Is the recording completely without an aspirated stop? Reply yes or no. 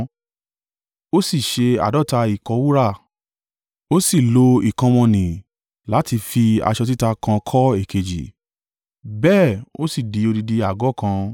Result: no